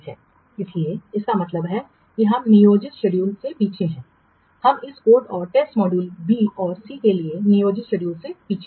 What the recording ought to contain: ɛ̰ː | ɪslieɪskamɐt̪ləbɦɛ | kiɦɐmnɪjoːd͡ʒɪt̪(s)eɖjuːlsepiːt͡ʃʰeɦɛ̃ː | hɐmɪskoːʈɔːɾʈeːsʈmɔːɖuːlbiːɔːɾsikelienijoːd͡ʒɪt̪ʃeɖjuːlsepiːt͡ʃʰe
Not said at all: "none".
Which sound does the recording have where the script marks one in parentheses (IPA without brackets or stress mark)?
ʃ